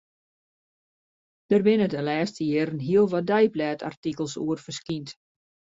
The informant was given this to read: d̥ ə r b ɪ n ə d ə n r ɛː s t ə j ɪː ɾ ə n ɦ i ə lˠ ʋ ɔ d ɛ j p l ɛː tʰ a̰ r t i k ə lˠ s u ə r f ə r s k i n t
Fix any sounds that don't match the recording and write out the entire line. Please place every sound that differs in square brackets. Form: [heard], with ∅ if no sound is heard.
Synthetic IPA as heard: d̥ ə r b ɪ n ə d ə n [l] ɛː s t ə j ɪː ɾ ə n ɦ i ə lˠ ʋ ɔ d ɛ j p l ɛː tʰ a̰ r t i k ə lˠ s u ə r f ə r s k i n t